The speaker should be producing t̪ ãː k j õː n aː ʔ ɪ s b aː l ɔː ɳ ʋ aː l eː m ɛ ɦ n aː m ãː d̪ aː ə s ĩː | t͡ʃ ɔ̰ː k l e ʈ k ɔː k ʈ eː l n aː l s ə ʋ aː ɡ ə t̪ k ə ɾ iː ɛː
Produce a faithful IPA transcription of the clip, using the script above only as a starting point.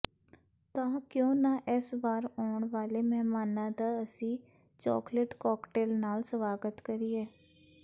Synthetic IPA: t̪ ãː k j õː n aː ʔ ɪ s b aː ɾ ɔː ɳ ʋ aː l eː m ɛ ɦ m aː n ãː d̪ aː ə s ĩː | t͡ʃ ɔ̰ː k l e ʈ k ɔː k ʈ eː l n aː l s ə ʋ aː ɡ ə t̪ k ə ɾ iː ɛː